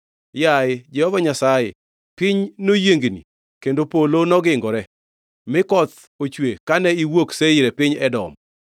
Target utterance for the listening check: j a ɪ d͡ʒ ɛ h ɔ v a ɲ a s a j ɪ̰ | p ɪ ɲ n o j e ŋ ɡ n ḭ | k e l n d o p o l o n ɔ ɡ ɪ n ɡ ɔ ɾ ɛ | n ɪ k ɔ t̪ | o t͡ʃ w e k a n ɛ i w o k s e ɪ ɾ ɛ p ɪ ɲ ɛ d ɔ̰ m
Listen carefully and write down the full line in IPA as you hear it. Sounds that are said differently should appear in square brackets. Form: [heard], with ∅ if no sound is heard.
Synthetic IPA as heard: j a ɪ d͡ʒ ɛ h ɔ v a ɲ a s a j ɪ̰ | p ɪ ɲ n o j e ŋ ɡ n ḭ | k e [∅] n d o p o l o n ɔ ɡ ɪ [ŋ] ɡ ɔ ɾ ɛ | [m] ɪ k ɔ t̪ | o t͡ʃ w e k a n ɛ i w o k s e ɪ ɾ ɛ p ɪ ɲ ɛ d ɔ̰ m